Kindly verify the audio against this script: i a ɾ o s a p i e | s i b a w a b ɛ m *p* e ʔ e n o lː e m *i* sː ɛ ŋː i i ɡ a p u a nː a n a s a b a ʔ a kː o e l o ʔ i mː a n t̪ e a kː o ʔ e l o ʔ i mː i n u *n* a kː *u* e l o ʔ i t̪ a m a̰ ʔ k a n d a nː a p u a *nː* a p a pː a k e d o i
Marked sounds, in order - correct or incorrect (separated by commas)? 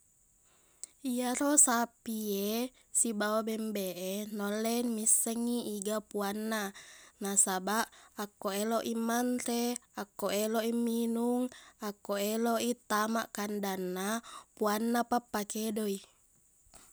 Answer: incorrect, correct, incorrect, incorrect, correct